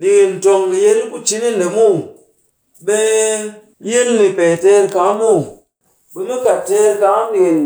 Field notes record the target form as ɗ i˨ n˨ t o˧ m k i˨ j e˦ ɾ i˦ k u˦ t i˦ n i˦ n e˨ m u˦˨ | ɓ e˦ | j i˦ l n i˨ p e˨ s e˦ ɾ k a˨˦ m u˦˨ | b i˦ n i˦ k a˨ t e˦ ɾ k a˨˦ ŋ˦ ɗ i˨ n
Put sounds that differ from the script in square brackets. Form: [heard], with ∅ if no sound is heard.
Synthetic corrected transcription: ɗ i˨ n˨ t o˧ [ŋ] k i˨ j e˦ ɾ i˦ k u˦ [t͡ʃ] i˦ n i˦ n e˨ m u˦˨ | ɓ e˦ | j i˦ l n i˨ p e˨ [t] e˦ ɾ k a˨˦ m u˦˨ | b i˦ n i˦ k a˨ t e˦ ɾ k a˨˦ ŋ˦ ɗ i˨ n

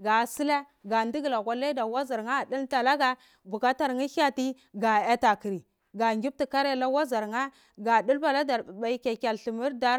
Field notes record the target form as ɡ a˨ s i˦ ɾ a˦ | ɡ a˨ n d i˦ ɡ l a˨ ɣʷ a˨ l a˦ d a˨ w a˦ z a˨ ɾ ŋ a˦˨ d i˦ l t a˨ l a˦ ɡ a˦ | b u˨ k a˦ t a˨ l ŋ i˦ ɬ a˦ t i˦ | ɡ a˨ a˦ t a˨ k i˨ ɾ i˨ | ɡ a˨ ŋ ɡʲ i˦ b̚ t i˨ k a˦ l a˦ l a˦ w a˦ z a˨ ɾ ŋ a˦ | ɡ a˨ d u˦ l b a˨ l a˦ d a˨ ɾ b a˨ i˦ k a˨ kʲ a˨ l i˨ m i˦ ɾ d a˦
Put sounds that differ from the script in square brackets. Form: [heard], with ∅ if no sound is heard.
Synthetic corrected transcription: ɡ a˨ s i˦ [l] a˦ | ɡ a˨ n d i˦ ɡ l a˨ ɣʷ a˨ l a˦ d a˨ w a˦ z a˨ ɾ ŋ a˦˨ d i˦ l t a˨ l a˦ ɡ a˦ | b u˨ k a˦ t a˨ [ɾ] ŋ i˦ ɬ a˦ t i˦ | ɡ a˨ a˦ t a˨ k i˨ ɾ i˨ | ɡ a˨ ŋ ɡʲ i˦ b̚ t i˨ k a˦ [ɾ] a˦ l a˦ w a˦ z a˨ ɾ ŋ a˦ | ɡ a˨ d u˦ l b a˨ l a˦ d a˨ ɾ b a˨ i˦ k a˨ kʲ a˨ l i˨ m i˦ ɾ d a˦

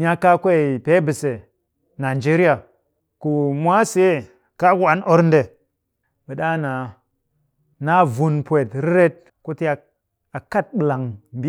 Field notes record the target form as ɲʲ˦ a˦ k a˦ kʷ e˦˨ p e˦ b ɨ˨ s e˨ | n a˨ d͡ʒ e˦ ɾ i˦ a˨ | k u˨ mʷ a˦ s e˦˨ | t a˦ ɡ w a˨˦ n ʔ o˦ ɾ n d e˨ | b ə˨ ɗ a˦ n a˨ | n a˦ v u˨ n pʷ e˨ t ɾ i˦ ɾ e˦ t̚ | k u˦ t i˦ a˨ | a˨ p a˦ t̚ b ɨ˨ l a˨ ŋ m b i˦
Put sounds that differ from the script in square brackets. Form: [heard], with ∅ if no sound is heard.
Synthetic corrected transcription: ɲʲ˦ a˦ k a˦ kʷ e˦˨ p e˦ b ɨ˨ s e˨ | n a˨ d͡ʒ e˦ ɾ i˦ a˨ | k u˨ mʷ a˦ s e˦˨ | [k] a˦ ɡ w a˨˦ n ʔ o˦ ɾ n d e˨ | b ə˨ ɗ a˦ n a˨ | n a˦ v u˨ n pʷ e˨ t ɾ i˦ ɾ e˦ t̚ | k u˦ t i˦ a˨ | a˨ [k] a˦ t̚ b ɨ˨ l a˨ ŋ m b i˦

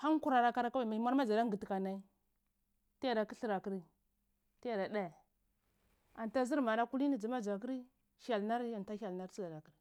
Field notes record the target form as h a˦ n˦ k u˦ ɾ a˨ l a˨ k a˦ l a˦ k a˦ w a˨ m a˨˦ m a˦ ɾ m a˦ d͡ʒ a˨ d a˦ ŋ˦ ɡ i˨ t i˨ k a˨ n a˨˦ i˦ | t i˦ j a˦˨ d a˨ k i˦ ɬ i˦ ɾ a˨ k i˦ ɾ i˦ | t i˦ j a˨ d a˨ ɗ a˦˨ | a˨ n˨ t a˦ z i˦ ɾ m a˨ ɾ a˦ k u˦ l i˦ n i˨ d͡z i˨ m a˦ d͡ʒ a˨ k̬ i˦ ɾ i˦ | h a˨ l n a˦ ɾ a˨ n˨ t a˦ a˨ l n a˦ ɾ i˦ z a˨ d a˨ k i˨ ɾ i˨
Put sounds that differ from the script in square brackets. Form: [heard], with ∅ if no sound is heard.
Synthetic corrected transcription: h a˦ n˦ k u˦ ɾ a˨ [ɾ] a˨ k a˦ [ɾ] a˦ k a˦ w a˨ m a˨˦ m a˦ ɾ m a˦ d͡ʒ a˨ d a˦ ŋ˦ ɡ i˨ t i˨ k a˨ n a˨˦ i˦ | t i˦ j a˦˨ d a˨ k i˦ ɬ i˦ ɾ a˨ k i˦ ɾ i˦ | t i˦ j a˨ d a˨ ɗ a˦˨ | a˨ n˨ t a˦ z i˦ ɾ m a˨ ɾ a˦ k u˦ l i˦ n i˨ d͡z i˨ m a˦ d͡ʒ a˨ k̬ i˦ ɾ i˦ | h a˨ l n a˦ ɾ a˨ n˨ t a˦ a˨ l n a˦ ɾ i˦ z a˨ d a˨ k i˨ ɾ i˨

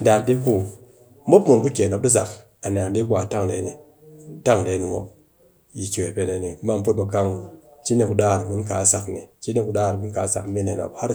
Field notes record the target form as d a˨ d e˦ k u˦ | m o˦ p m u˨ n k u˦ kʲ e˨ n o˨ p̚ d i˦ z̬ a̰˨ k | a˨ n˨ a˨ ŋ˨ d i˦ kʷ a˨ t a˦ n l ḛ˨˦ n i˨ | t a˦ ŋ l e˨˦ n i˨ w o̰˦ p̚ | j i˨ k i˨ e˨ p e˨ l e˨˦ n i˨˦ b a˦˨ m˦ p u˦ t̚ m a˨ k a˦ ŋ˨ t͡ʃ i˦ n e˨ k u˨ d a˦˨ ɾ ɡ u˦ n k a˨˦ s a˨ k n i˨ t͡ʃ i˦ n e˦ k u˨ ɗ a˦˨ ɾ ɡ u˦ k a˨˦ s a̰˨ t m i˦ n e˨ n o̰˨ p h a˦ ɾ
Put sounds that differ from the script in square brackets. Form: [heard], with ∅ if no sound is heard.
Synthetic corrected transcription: d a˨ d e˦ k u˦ | m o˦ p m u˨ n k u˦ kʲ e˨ n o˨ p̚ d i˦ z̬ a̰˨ k | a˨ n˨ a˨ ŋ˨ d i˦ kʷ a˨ t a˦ [ŋ] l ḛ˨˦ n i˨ | t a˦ ŋ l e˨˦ n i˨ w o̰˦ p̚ | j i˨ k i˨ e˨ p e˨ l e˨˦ n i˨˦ [m] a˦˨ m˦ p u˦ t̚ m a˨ k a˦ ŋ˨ t͡ʃ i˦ n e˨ k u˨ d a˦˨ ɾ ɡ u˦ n k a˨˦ s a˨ k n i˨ t͡ʃ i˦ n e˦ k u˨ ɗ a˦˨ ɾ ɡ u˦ k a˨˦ s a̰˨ [k] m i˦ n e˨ n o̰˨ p h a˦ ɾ

